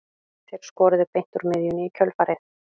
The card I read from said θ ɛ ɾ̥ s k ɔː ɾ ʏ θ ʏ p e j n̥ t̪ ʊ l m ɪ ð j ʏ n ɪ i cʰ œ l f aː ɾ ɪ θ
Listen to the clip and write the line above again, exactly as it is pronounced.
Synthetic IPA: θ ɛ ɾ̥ s k ɔː ɾ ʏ ð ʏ p e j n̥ t̪ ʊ ɾ m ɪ ð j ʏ n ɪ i cʰ œ l f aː ɾ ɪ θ